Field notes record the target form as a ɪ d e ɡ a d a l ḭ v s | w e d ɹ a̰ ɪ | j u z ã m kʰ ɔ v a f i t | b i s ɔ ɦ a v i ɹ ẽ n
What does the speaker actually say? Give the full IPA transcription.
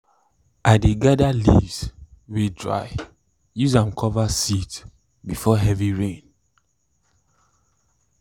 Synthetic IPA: a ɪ d e ɡ a d a l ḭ v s | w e d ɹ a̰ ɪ | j u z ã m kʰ ɔ v a s i t | b i f ɔ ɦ ɛ v i ɹ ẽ n